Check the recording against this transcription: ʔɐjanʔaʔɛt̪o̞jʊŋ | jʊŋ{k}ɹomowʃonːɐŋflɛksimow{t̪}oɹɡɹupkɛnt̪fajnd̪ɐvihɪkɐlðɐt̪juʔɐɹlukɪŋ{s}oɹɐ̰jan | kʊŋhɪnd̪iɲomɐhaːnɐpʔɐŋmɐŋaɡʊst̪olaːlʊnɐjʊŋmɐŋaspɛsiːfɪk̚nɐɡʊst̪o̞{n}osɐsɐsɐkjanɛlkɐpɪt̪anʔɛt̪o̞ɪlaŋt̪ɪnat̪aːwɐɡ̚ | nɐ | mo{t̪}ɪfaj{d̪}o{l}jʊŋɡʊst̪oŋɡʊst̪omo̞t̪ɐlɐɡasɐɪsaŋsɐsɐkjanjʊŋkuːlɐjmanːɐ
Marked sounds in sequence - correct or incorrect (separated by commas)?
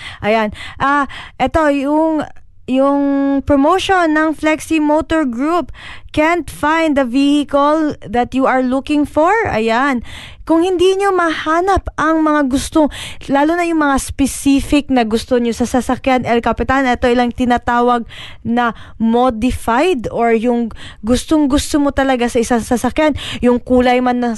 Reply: incorrect, correct, incorrect, incorrect, incorrect, correct, incorrect